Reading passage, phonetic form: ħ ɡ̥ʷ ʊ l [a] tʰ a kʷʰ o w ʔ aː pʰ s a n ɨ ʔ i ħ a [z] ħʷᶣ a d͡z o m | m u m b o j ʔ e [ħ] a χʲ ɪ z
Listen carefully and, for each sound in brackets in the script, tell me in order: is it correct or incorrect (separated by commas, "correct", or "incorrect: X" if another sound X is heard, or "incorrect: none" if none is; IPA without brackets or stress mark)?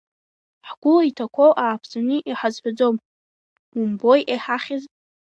incorrect: i, correct, correct